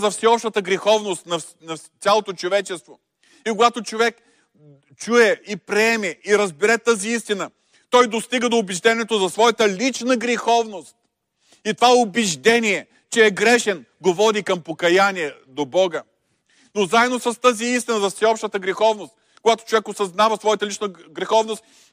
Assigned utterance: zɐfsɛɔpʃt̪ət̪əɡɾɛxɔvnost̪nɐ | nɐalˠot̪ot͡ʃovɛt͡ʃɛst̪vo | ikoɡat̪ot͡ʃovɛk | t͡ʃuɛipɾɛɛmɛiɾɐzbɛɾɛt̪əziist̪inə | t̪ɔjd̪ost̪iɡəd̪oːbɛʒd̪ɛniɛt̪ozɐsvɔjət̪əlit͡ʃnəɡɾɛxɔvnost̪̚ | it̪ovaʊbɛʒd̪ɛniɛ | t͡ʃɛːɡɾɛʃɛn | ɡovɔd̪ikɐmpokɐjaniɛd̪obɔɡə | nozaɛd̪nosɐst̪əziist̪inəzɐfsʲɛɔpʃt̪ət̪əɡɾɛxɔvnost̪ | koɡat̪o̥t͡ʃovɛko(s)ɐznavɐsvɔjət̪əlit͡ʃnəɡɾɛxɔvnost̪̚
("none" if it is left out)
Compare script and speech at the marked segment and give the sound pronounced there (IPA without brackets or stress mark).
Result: s